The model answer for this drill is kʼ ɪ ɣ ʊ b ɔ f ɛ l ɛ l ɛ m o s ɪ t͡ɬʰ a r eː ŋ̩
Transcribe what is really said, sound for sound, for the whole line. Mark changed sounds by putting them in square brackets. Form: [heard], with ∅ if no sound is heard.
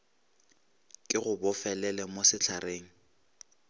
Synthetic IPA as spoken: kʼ ɪ ɣ ʊ b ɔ f ɛ l ɛ l ɛ m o s ɪ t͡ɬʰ a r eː ŋ̩